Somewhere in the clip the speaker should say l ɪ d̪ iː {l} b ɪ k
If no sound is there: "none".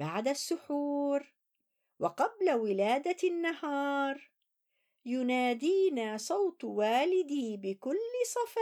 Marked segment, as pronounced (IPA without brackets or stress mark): none